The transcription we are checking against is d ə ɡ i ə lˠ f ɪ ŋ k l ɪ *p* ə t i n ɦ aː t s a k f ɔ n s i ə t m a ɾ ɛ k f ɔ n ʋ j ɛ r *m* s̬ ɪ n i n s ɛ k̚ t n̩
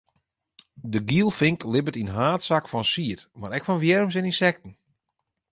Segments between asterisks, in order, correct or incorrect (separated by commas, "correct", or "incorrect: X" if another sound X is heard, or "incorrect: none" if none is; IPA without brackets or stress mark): incorrect: b, correct